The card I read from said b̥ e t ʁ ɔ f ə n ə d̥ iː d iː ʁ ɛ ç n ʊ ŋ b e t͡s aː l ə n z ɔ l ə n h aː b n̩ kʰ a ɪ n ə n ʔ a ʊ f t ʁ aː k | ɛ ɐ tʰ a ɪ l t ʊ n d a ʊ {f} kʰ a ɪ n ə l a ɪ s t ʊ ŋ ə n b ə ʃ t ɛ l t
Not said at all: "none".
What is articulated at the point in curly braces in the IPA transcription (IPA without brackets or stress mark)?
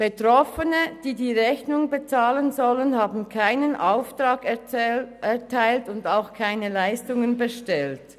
x